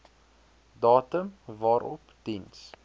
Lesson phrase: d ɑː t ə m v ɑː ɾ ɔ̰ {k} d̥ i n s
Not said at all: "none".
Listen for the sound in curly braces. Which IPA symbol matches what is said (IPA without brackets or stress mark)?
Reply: p